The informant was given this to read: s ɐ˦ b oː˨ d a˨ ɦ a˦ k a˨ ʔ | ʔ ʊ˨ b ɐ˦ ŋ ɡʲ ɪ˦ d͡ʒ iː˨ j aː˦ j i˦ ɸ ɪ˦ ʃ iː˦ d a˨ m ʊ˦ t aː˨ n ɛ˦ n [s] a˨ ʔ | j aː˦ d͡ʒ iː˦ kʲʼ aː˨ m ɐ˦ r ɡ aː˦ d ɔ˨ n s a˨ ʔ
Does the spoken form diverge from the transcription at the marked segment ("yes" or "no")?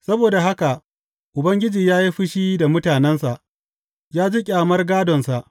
no